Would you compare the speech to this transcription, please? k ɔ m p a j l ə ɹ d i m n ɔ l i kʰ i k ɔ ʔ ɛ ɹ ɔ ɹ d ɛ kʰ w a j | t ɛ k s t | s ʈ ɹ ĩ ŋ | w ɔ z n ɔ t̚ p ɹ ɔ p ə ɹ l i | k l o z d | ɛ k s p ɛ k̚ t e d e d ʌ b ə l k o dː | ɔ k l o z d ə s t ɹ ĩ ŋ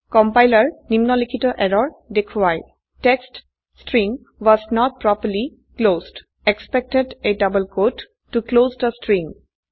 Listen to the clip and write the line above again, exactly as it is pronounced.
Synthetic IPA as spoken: k ɔ m p a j l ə ɹ n i m n ɔ l i kʰ i t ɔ ʔ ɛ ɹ ɔ ɹ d e kʰ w a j | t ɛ k s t | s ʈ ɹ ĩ ŋ | w ɔ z n ɔ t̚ p ɹ ɔ p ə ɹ l i | k l o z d | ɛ k s p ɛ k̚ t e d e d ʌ b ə l k o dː | u k l o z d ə s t ɹ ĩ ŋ